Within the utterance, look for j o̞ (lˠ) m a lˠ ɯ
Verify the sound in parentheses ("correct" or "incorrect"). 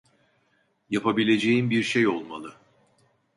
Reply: correct